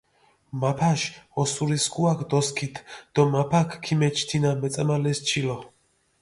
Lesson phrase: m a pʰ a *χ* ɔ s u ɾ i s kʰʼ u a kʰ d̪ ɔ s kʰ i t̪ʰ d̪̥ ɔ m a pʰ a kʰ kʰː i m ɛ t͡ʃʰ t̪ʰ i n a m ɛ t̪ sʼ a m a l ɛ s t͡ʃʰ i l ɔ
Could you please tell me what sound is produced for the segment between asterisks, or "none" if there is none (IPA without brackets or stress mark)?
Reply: ʃ